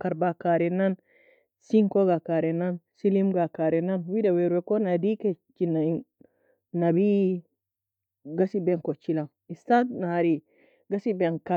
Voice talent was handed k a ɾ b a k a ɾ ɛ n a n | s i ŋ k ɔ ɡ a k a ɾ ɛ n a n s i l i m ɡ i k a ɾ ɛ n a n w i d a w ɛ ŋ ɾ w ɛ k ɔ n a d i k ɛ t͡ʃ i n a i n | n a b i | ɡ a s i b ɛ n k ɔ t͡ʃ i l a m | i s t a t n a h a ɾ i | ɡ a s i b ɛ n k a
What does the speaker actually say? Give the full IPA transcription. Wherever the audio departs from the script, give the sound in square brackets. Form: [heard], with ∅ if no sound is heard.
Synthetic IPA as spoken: k a ɾ b a k a ɾ ɛ n a n | s i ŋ k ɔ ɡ a k a ɾ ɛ n a n s i l i m ɡ [a] k a ɾ ɛ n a n w i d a w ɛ [∅] ɾ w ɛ k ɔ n a d i k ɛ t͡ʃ i n a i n | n a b i | ɡ a s i b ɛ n k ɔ t͡ʃ i l a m | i s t a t n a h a ɾ i | ɡ a s i b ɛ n k a